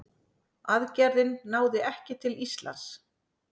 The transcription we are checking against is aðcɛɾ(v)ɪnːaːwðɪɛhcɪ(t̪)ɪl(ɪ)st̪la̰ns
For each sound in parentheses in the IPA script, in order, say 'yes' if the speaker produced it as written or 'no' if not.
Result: no, no, no

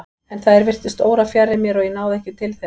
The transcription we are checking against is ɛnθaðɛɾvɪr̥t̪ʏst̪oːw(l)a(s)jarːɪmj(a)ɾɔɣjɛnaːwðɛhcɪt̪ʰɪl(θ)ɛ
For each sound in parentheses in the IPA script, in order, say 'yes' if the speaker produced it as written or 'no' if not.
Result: no, no, no, yes

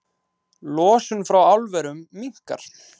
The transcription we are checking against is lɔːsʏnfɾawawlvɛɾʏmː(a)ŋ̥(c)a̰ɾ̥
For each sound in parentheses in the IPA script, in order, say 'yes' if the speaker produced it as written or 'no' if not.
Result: no, no

